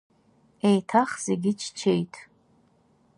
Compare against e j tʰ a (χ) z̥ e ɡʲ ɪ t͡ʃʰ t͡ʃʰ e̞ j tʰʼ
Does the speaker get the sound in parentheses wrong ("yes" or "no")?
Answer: no